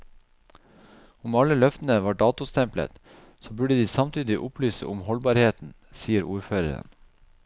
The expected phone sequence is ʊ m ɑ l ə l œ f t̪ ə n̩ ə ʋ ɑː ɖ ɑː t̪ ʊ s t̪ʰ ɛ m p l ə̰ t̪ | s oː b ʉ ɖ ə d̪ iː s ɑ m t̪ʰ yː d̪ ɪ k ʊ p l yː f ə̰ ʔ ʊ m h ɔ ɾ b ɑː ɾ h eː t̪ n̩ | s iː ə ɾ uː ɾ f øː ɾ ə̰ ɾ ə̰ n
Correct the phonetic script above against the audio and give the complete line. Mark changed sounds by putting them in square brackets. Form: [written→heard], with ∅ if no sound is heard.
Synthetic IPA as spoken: ʊ m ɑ l ə l œ f t̪ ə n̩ ə ʋ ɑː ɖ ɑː t̪ ʊ s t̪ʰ ɛ m p l ə̰ t̪ | s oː b ʉ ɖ ə d̪ iː s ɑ m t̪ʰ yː d̪ ɪ [k→ʔ] ʊ p l yː [f→s] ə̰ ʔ ʊ m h ɔ [ɾ→l] b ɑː ɾ h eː t̪ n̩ | s iː ə ɾ uː ɾ f øː ɾ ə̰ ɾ ə̰ n

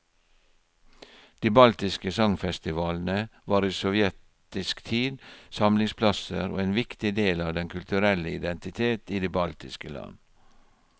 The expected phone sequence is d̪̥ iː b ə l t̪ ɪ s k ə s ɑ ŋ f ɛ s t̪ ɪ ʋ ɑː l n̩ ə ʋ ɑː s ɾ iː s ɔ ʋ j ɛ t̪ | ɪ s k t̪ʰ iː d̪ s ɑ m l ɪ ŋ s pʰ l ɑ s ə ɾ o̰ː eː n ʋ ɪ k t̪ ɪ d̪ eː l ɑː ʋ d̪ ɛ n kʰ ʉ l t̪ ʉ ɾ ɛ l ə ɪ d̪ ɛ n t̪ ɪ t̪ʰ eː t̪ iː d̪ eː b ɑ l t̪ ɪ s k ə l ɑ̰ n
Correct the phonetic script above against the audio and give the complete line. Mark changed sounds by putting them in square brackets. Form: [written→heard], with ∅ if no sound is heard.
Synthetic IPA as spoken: d̪̥ iː b [ə→ɑ] l t̪ ɪ s k ə s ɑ ŋ f ɛ s t̪ ɪ ʋ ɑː l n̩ ə ʋ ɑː [s→∅] ɾ iː s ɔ ʋ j ɛ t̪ | ɪ s k t̪ʰ iː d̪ s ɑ m l ɪ ŋ s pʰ l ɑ s ə ɾ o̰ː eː n ʋ ɪ k t̪ ɪ d̪ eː l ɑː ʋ d̪ ɛ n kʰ ʉ l t̪ ʉ ɾ ɛ l ə ɪ d̪ ɛ n t̪ ɪ t̪ʰ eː t̪ iː d̪ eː b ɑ l t̪ ɪ s k ə l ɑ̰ n

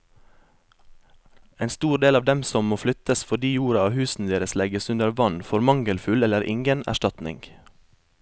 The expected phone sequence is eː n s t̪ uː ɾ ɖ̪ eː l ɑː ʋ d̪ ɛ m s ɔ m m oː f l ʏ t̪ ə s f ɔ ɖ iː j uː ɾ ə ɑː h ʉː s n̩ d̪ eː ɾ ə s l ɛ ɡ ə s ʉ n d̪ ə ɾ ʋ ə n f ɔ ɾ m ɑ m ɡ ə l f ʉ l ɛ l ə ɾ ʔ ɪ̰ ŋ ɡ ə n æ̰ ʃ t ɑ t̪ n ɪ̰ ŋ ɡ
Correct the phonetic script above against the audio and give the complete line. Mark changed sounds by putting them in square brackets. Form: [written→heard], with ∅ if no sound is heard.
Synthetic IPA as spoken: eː n s t̪ uː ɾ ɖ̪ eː l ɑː ʋ d̪ ɛ m s ɔ m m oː f l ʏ t̪ ə s f ɔ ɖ iː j uː ɾ [ə→ɑ] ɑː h ʉː s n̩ d̪ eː ɾ ə s l ɛ ɡ ə s ʉ n d̪ ə ɾ ʋ [ə→ɑ] n f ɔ ɾ m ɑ [m→ŋ] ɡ ə l f ʉ l ɛ l ə ɾ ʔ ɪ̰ ŋ ɡ ə n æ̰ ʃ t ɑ t̪ n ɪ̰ ŋ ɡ

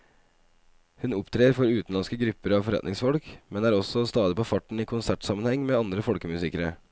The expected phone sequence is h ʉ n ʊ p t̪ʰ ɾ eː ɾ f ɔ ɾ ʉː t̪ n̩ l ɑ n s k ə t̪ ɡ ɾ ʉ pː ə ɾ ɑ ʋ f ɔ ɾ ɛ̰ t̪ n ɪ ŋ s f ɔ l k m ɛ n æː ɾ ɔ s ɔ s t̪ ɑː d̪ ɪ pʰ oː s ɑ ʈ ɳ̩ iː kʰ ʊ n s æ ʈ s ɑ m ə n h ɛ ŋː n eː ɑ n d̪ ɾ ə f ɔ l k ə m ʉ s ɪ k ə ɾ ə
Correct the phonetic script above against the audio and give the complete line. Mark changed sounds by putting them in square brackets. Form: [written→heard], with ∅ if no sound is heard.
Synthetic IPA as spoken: h ʉ n ʊ p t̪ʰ ɾ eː ɾ f ɔ ɾ ʉː t̪ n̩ l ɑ n s k ə [t̪→∅] ɡ ɾ ʉ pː ə ɾ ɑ ʋ f ɔ ɾ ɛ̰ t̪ n ɪ ŋ s f ɔ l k m ɛ n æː ɾ ɔ s ɔ s t̪ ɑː d̪ ɪ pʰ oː [s→f] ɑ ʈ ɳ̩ iː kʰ ʊ n s æ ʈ s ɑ m ə n h ɛ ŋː [n→m] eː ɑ n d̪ ɾ ə f ɔ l k ə m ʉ s ɪ k ə ɾ ə

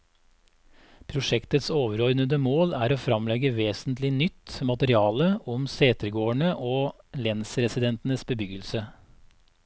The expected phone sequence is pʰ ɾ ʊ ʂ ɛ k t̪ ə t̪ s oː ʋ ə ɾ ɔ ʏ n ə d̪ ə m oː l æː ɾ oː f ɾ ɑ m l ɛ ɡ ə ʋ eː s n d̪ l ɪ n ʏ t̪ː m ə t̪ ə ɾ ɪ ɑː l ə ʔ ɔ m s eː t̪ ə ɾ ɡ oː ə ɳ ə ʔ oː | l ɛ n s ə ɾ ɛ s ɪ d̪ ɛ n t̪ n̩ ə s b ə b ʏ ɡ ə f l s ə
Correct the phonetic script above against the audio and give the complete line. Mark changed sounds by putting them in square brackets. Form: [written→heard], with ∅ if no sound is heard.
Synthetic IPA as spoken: pʰ ɾ ʊ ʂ ɛ k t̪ ə t̪ s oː ʋ ə ɾ ɔ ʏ n ə d̪ ə m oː l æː ɾ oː f ɾ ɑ m l ɛ ɡ ə ʋ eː s n [d̪→t̪] l ɪ n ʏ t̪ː m [ə→ɑ] t̪ ə ɾ ɪ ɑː l ə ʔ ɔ m s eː t̪ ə ɾ ɡ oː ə ɳ ə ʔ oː | l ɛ n s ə ɾ ɛ s ɪ d̪ ɛ n t̪ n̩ ə s b ə b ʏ ɡ ə [f→∅] l s ə

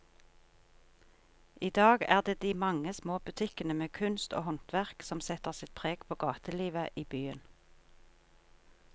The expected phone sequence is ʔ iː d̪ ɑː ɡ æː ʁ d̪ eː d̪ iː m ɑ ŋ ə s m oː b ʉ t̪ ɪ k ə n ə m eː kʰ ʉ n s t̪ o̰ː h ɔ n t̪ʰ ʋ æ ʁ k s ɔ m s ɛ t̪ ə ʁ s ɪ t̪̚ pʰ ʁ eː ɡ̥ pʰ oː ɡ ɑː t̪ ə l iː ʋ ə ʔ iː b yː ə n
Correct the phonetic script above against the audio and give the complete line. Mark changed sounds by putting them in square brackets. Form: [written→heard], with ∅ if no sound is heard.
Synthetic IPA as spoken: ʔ iː d̪ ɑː ɡ æː ʁ d̪ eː d̪ iː m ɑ ŋ ə s m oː b ʉ [t̪→t̪ʰ] ɪ k ə n ə m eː kʰ ʉ n s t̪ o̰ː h ɔ n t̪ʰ ʋ æ ʁ k s ɔ m s ɛ t̪ ə ʁ s ɪ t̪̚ pʰ ʁ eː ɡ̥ pʰ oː ɡ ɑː t̪ ə l iː ʋ ə ʔ iː b yː ə n

